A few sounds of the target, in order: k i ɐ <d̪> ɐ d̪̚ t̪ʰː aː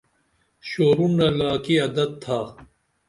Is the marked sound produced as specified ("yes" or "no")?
yes